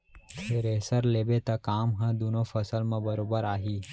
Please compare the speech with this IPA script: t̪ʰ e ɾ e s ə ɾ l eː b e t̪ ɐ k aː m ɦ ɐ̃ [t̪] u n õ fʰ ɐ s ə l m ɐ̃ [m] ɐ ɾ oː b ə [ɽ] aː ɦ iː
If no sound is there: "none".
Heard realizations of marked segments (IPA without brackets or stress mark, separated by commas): d̪, b, ɾ